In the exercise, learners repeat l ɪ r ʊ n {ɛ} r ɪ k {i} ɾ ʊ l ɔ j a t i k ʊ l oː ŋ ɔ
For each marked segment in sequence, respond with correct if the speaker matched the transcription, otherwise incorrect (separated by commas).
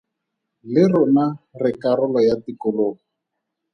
incorrect, incorrect